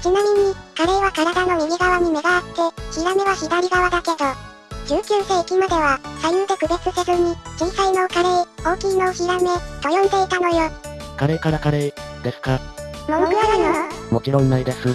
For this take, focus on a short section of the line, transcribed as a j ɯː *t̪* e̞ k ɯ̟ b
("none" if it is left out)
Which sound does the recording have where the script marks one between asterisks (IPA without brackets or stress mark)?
d̪